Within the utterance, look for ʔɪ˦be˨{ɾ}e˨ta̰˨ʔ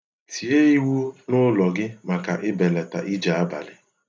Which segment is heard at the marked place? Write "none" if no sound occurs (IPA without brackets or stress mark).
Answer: l